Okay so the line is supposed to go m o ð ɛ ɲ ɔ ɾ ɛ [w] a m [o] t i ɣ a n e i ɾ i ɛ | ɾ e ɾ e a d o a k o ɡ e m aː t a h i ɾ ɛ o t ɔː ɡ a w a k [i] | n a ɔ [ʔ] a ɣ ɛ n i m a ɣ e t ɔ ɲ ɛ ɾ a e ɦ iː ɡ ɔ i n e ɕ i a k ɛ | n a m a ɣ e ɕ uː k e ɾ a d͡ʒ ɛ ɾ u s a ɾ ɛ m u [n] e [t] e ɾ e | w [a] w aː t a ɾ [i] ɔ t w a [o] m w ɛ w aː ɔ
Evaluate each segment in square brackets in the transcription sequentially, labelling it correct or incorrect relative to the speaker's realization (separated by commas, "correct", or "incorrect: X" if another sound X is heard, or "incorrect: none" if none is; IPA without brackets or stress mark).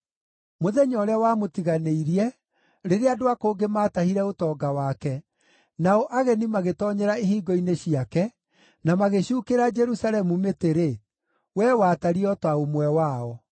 correct, correct, incorrect: ɛ, correct, incorrect: m, correct, incorrect: ɛ, correct, correct